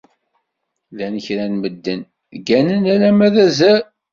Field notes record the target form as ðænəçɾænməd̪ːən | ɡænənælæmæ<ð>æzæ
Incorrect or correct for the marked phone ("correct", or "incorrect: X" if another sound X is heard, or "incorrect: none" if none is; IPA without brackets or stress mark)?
correct